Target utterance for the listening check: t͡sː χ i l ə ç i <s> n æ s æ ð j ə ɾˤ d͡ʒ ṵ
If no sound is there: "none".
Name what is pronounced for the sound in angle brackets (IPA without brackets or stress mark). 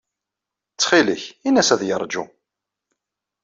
none